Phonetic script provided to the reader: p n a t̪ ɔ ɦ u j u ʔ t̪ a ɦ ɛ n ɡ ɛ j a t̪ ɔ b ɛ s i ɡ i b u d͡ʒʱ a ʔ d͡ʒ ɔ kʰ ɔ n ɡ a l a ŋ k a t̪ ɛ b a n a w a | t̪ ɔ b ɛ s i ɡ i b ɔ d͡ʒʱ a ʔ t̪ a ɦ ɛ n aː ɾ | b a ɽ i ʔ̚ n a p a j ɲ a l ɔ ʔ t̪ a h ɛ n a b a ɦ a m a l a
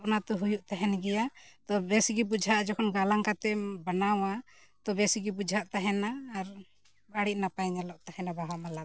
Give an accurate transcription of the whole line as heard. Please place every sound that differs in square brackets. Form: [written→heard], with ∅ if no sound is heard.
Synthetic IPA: p n a t̪ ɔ ɦ u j u ʔ t̪ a ɦ ɛ n ɡ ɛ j a t̪ ɔ b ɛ s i ɡ i b u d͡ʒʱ a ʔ d͡ʒ ɔ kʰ ɔ n ɡ a l a ŋ k a t̪ ɛ b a n a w a | t̪ ɔ b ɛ s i ɡ i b [ɔ→u] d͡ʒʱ a ʔ t̪ a ɦ ɛ n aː ɾ | b a ɽ i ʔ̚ n a p a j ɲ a l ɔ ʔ t̪ a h ɛ n a b a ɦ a m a l a